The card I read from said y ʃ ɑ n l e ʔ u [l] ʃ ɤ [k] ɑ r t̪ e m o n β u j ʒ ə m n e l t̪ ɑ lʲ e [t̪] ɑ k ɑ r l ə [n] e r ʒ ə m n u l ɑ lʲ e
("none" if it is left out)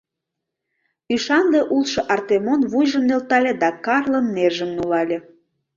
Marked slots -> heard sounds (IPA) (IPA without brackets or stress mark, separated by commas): l, ʔ, d̪, nː